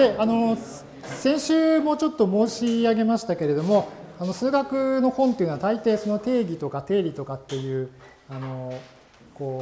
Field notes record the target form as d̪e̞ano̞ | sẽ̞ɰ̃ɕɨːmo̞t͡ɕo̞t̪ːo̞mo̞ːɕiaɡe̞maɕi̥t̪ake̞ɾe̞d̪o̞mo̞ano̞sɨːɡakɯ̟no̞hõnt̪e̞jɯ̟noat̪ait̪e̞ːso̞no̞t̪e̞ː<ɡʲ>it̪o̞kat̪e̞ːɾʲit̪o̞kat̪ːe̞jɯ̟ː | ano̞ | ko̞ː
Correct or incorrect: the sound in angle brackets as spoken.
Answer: correct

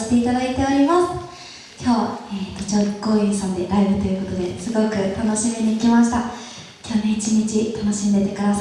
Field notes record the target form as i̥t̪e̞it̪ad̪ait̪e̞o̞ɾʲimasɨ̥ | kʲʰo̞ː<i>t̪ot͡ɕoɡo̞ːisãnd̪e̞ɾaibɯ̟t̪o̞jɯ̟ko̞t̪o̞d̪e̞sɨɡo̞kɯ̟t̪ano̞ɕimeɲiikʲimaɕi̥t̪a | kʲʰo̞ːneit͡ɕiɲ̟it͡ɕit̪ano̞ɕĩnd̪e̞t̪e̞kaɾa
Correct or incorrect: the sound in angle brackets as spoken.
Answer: incorrect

